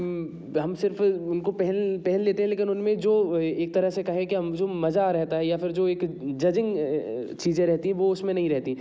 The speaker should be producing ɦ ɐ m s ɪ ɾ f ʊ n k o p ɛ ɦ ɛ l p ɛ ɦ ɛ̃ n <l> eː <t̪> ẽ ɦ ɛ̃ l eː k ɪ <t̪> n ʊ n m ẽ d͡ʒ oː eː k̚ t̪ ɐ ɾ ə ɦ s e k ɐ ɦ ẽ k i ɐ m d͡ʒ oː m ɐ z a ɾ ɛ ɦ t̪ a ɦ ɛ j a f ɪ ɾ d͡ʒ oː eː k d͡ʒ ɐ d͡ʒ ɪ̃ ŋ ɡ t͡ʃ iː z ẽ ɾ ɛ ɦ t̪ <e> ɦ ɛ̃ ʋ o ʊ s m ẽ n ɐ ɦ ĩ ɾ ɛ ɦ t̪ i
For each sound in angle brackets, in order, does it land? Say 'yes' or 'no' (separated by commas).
yes, yes, no, no